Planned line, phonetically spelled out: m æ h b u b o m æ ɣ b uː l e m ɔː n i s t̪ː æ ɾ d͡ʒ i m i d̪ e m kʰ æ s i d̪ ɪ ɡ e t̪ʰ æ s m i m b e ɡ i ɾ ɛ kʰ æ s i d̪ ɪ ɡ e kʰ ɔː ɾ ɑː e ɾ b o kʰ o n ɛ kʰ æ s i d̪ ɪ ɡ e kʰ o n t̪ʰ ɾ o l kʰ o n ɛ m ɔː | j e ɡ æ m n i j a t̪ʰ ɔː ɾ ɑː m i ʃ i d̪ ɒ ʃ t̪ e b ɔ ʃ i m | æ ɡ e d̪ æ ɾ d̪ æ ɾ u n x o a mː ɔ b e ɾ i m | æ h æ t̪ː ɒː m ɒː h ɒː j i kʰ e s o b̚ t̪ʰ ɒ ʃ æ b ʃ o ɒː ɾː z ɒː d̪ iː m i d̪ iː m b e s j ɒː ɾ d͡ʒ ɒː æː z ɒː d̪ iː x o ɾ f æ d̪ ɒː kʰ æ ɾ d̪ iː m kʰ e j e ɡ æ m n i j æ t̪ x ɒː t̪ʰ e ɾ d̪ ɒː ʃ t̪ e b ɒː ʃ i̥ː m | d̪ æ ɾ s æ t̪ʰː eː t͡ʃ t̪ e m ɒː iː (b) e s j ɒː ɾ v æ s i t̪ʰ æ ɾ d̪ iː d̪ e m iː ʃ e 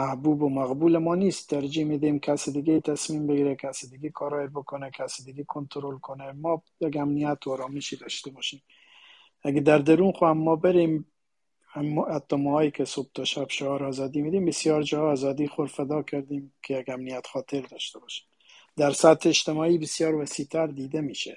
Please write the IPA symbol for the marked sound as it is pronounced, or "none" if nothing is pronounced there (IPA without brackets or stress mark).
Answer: b